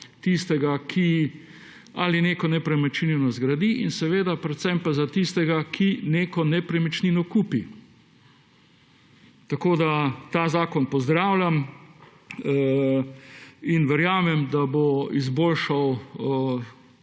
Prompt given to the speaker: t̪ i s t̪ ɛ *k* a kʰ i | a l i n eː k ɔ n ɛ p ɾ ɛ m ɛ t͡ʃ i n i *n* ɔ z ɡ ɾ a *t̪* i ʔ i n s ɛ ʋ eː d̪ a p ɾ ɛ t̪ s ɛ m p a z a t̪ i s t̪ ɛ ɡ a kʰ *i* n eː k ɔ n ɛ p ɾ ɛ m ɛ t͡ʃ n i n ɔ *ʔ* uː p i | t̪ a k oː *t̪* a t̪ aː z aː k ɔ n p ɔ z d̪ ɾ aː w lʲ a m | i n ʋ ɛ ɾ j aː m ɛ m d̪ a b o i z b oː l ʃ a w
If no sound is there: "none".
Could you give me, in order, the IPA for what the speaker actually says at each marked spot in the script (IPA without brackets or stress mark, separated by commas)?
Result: ɡ, n, d̪, i, k, d̪